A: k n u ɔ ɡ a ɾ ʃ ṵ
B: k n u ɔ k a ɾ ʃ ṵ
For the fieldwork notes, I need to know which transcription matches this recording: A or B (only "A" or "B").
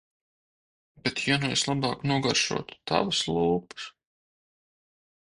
A